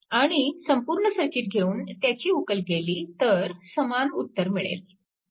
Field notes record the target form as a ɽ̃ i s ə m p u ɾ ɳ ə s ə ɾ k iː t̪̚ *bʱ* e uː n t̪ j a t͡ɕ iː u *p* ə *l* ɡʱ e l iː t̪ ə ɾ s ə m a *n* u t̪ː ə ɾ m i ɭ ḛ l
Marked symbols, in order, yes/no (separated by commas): no, no, yes, yes